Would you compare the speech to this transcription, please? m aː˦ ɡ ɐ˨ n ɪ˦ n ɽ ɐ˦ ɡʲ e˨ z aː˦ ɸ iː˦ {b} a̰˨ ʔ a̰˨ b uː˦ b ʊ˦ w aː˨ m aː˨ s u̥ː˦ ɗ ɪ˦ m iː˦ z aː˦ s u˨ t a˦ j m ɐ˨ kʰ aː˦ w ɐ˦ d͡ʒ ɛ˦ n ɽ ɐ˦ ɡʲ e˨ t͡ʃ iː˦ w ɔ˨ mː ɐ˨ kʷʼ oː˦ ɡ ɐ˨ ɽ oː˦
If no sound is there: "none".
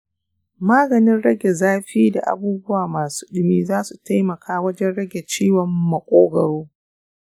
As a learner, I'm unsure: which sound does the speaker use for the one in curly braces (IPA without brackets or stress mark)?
d